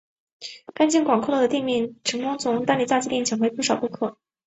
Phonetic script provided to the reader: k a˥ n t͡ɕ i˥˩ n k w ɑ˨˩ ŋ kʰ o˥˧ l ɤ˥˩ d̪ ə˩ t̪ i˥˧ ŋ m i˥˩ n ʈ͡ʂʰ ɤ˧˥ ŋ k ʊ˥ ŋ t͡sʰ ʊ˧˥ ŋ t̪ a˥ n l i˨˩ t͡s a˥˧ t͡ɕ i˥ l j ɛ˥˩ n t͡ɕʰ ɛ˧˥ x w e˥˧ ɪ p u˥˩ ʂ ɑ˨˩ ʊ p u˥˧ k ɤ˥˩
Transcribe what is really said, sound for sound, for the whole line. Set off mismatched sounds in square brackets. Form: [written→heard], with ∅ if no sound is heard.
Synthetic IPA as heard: k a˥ n t͡ɕ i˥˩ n k w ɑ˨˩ ŋ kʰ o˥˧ l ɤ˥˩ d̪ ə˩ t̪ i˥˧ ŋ m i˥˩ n ʈ͡ʂʰ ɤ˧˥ ŋ k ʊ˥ ŋ t͡sʰ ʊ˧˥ ŋ t̪ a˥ n l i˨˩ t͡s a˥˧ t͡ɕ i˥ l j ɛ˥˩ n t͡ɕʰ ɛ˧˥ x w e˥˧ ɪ p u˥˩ ʂ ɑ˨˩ ʊ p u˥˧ [k→kʰ] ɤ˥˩